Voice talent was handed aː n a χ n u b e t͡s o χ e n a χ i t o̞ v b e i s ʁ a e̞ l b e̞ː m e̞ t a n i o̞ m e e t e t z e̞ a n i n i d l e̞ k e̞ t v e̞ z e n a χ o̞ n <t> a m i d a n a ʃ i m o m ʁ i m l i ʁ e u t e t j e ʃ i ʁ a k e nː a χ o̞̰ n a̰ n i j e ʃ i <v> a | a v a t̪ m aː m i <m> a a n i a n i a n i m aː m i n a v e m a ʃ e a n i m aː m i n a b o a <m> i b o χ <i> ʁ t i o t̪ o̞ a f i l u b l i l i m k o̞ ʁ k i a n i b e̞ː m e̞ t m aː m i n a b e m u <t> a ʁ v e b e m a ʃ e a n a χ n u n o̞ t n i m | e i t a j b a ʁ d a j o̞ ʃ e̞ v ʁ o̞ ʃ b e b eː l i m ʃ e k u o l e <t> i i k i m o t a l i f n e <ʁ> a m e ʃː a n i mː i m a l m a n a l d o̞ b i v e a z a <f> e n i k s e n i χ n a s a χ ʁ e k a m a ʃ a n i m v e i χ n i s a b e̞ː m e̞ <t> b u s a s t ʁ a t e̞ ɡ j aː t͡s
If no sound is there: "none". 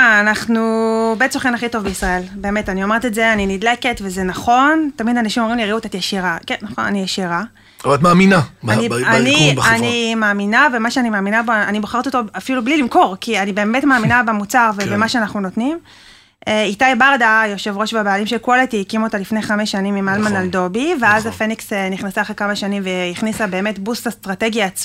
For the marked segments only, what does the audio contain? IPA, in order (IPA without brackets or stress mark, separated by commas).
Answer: t, ʁ, n, n, a, t͡s, t, χ, f, t